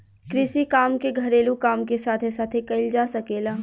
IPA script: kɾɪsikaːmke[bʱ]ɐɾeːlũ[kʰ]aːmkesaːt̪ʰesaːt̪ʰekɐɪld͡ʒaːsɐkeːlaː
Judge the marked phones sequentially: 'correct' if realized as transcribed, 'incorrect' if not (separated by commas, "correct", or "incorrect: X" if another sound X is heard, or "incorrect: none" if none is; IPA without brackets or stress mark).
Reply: incorrect: ɡʱ, incorrect: k